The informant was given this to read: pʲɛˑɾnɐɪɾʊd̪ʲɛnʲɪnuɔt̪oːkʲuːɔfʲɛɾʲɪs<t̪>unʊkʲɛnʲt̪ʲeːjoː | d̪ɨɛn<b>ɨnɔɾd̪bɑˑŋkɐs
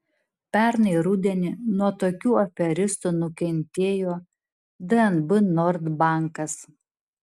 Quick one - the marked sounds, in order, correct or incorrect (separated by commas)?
correct, correct